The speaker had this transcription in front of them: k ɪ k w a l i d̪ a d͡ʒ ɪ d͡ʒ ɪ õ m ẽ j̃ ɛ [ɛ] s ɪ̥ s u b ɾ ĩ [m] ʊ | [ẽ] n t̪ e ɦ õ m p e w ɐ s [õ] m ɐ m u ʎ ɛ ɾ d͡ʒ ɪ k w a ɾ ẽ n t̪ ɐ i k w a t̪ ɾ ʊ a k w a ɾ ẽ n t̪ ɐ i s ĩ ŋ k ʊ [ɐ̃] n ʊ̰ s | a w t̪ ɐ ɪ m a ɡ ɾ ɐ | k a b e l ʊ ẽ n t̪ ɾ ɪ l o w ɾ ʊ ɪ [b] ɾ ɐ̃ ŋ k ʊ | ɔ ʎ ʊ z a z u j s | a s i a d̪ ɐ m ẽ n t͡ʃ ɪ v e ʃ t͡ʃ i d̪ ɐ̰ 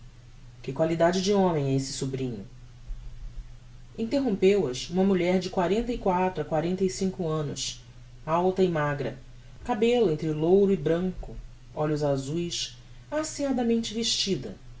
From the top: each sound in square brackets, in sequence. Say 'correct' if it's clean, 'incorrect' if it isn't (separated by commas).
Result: incorrect, incorrect, incorrect, incorrect, correct, correct